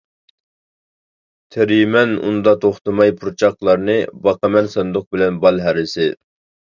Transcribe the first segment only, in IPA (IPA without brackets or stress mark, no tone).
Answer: t̪ʰ